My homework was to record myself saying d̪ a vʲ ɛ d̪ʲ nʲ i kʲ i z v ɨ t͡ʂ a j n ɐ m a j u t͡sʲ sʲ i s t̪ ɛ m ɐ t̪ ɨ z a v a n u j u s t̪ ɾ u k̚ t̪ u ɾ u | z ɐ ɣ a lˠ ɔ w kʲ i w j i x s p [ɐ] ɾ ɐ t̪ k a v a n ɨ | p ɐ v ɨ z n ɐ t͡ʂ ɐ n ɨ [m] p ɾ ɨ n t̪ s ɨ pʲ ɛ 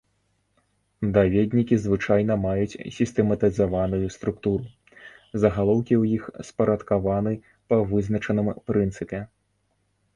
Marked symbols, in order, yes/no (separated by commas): yes, yes